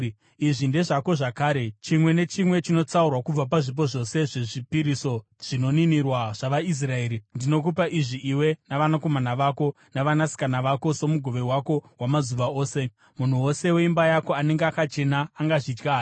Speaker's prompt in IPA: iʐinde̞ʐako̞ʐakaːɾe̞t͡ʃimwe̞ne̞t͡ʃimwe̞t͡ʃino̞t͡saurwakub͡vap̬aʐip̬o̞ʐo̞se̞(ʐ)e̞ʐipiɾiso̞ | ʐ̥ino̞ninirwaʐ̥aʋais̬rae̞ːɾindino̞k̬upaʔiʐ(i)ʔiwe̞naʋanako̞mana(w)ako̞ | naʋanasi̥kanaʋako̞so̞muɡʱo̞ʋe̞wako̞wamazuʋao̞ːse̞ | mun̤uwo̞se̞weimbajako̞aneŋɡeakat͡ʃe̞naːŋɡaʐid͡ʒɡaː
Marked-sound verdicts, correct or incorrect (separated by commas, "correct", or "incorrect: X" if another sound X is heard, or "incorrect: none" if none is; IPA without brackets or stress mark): correct, correct, incorrect: ʋ